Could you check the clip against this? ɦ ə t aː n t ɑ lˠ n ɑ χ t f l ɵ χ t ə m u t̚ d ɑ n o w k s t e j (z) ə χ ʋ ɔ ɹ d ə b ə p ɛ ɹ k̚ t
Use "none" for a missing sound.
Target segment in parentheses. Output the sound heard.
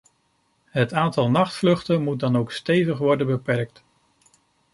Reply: v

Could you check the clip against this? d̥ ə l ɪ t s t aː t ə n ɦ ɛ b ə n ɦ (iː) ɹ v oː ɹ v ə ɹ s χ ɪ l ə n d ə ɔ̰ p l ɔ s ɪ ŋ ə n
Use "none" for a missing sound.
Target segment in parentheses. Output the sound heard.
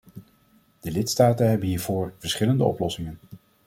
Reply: iː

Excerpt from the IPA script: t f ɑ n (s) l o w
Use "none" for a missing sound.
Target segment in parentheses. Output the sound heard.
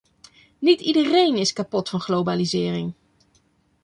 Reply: χ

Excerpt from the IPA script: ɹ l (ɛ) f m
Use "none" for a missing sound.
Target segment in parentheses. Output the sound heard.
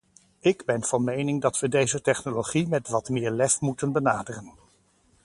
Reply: ɛ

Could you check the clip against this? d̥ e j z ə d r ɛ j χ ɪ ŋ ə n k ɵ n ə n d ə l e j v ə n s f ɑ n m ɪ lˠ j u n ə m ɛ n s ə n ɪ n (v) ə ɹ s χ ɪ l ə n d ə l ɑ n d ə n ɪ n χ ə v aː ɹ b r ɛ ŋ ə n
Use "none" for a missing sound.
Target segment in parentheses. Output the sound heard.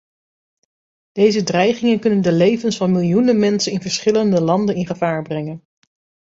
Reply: v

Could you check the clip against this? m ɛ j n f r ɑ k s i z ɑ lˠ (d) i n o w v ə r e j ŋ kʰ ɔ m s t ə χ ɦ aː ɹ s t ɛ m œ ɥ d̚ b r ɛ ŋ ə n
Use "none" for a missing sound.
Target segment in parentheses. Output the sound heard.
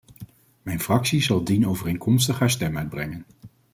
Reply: d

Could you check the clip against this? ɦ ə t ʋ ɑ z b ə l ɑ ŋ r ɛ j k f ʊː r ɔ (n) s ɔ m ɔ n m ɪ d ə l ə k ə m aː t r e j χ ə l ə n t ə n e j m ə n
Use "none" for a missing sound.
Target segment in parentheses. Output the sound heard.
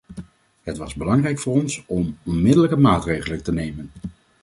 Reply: n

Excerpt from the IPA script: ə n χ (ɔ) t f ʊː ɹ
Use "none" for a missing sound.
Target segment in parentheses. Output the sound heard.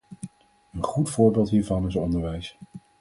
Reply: u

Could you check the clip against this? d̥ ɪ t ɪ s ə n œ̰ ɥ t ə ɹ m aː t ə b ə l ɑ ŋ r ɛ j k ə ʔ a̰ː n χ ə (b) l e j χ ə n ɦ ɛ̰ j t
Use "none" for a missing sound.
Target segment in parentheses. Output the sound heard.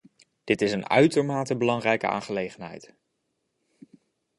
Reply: none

